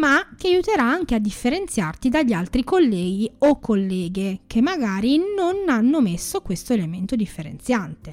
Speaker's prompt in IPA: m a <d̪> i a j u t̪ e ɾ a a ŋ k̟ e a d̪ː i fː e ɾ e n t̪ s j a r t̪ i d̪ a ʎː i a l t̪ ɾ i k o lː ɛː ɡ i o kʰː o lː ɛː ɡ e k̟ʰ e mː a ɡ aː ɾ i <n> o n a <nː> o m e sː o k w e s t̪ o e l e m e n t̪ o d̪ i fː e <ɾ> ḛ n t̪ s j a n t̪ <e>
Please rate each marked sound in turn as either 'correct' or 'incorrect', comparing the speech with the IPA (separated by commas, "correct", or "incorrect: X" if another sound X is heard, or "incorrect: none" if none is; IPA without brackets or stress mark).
incorrect: t̪, correct, correct, correct, correct